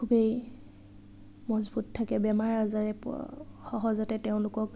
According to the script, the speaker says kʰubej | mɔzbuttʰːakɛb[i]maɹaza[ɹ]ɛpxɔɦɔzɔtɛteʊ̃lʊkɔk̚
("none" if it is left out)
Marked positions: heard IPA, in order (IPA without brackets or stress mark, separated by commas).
ɛ, ɹ